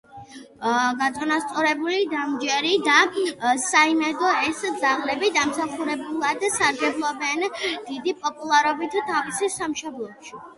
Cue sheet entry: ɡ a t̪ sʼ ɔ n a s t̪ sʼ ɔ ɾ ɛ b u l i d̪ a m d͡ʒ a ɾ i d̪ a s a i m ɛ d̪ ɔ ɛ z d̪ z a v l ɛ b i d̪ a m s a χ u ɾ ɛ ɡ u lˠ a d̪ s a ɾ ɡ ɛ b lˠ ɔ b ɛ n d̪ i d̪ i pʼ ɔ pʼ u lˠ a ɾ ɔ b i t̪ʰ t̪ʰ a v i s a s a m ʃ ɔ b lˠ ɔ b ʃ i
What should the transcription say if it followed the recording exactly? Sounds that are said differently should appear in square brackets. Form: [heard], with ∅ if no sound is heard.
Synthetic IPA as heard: ɡ a t̪ sʼ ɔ n a s t̪ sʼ ɔ ɾ ɛ b u l i d̪ a m d͡ʒ [ɛ] ɾ i d̪ a s a i m ɛ d̪ ɔ ɛ [s] d̪ z a [ʁ] l ɛ b i d̪ a m s a χ u ɾ ɛ [b] u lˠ a d̪ s a ɾ ɡ ɛ b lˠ ɔ b ɛ n d̪ i d̪ i pʼ ɔ pʼ u lˠ a ɾ ɔ b i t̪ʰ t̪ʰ a v i s [i] s a m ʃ ɔ b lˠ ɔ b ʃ i